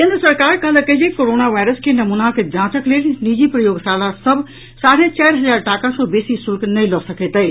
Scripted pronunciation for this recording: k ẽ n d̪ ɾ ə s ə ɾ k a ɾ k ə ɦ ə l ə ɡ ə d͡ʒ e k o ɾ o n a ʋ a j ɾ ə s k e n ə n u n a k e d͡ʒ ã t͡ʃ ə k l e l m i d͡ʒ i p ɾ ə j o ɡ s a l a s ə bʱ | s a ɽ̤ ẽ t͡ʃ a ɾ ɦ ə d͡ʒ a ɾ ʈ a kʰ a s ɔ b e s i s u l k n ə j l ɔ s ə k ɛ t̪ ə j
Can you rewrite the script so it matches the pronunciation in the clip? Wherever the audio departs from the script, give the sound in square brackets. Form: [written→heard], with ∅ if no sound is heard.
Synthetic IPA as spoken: k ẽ n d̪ ɾ ə s ə ɾ k a ɾ k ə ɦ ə l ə [ɡ→k] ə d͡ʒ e k o ɾ o n a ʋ a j ɾ ə s k e n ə [n→m] u n a k e d͡ʒ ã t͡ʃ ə k l e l [m→n] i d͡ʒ i p ɾ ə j o ɡ s a l a s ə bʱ | s a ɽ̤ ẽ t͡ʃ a ɾ ɦ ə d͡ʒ a ɾ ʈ a [kʰ→k] a s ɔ b e s i s u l k n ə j l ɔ s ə k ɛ t̪ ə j